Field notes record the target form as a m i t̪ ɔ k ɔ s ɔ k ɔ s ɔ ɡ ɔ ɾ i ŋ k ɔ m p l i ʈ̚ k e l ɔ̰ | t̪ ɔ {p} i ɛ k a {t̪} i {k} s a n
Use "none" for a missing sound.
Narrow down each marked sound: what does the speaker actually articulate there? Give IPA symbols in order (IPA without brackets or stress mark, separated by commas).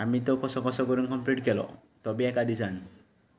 b, d̪, none